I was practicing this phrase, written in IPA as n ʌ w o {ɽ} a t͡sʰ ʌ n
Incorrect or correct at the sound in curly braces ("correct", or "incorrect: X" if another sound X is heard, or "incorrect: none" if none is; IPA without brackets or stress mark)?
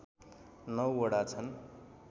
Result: correct